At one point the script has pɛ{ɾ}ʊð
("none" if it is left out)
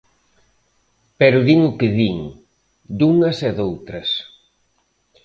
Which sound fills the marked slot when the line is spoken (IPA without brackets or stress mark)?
ɾ